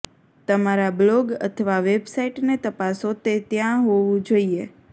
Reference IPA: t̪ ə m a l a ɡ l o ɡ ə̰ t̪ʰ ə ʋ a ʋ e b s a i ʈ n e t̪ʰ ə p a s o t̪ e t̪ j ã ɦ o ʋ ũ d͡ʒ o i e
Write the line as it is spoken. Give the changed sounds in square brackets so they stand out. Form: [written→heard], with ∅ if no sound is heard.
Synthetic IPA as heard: t̪ ə m a [l→ɾ] a [ɡ→b] l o ɡ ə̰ t̪ʰ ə ʋ a ʋ e b s a i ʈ n e [t̪ʰ→t̪] ə p a s o t̪ e t̪ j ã ɦ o ʋ ũ d͡ʒ o i e